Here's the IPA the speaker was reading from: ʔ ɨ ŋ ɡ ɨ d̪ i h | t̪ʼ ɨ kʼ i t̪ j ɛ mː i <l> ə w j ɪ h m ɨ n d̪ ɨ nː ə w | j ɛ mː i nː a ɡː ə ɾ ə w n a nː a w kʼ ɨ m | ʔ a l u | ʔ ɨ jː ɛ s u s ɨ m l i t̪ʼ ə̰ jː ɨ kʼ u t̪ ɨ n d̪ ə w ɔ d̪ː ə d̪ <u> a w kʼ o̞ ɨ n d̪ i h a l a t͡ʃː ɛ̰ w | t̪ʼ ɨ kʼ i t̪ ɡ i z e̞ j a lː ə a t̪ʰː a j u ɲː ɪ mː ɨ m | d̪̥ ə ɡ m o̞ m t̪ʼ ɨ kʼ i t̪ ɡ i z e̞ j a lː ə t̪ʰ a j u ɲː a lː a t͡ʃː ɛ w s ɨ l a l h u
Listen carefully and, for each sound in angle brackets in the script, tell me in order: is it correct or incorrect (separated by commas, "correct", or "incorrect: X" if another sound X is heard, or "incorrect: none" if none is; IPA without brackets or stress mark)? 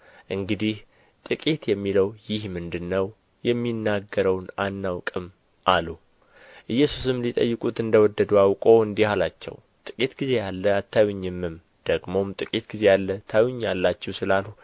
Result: correct, correct